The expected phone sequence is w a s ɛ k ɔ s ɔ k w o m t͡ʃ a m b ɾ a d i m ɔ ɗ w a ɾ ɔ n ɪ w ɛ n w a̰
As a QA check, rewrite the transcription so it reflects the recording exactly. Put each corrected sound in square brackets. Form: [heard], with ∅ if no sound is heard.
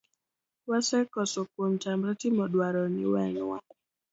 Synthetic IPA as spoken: w a s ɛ k ɔ s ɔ k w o m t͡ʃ a m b ɾ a [t] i m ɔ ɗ w a ɾ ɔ n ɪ w ɛ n w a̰

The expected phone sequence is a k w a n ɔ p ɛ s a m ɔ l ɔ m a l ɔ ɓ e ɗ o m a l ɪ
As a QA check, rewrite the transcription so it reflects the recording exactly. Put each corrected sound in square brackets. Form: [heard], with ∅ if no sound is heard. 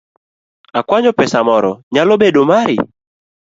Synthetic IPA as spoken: a k w a [ɲ] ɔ p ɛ s a m ɔ [ɾ] ɔ [ɲ] a l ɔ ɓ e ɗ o m a [ɾ] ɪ

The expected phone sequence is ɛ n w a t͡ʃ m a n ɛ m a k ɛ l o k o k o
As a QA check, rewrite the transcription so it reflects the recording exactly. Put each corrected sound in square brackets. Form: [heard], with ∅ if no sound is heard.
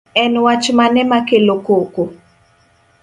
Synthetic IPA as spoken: ɛ n w a t͡ʃ m a n ɛ m a k [e] l o k o k o

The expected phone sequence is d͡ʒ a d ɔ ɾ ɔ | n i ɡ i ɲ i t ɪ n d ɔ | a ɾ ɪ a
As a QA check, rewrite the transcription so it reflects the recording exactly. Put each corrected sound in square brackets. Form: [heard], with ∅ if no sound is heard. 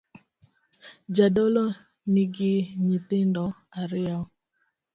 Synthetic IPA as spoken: d͡ʒ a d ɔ [l] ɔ | n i ɡ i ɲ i t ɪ n d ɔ | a ɾ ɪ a

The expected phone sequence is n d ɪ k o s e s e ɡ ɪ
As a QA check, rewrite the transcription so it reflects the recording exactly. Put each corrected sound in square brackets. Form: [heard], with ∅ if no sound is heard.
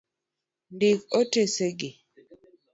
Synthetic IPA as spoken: n d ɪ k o [t] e s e ɡ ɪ

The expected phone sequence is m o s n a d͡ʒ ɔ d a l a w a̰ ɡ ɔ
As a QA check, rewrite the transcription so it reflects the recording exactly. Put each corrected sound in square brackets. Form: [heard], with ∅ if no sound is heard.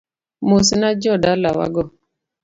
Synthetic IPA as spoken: m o s n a d͡ʒ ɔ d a l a w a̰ ɡ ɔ

